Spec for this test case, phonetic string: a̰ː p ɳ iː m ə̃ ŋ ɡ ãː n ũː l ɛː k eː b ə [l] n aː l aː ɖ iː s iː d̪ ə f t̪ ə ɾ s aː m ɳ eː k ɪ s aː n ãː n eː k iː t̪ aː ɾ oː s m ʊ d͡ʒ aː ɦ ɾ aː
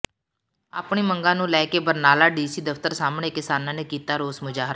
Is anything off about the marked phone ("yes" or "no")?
yes